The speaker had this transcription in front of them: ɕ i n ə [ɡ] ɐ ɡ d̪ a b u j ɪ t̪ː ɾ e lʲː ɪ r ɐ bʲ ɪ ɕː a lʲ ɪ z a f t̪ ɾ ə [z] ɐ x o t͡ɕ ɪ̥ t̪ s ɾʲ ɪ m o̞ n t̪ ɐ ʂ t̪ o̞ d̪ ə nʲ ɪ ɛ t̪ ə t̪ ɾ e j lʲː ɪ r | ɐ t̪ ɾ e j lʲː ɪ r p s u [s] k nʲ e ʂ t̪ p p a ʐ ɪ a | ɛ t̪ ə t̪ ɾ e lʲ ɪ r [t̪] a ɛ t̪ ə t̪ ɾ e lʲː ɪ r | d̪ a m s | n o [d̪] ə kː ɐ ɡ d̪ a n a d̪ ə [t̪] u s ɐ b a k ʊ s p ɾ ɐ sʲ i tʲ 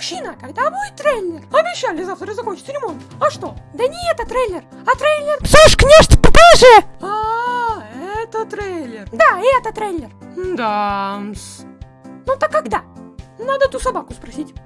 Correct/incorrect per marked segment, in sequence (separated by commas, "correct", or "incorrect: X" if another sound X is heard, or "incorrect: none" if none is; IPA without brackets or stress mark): incorrect: k, correct, incorrect: ʂ, incorrect: d̪, incorrect: t̪, correct